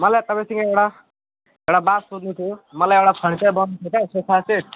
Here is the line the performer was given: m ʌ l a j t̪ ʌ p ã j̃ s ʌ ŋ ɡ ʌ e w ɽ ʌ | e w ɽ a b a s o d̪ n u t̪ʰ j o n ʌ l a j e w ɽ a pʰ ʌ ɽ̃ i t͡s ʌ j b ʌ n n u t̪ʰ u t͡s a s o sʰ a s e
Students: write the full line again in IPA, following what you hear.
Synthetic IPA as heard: m ʌ l a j t̪ ʌ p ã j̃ s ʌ ŋ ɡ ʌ e w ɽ a | e w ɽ a b a s o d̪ n u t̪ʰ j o m ʌ l a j e w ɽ a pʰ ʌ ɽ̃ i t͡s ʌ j b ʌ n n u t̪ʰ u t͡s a s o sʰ a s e